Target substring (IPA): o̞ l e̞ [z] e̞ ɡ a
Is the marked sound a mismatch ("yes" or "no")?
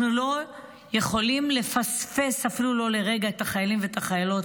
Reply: yes